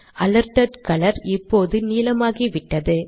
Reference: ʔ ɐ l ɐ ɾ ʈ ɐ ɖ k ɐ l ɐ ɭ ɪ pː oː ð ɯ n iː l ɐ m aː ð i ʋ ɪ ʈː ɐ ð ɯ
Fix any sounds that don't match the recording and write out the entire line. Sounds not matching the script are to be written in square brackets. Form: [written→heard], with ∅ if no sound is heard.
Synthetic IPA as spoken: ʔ ɐ l ɐ ɾ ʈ ɐ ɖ k ɐ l ɐ [ɭ→ɾ] ɪ pː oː ð ɯ n iː l ɐ m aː [ð→ɣ] i ʋ ɪ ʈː ɐ ð ɯ